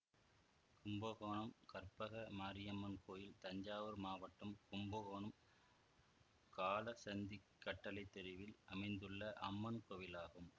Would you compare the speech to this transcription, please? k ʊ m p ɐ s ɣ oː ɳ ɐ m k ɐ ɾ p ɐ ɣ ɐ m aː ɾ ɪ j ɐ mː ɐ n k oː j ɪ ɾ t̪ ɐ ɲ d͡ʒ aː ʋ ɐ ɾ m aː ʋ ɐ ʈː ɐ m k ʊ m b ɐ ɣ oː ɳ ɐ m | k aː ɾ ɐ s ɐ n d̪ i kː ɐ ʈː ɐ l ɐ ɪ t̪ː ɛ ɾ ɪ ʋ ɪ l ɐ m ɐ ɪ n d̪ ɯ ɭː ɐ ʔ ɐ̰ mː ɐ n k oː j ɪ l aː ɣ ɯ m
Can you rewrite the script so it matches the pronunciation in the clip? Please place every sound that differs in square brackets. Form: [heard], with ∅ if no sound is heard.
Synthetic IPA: k ʊ m [b] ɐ [∅] ɣ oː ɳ ɐ m k ɐ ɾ p ɐ ɣ ɐ m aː ɾ ɪ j ɐ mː ɐ n k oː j ɪ [l] t̪ ɐ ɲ d͡ʒ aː ʋ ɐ ɾ m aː ʋ ɐ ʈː ɐ m k ʊ m b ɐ ɣ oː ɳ ɐ m | k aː [l] ɐ s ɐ n d̪ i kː ɐ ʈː ɐ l ɐ ɪ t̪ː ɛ ɾ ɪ ʋ ɪ l ɐ m ɐ ɪ n d̪ ɯ ɭː ɐ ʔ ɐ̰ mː ɐ n k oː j ɪ l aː ɣ ɯ m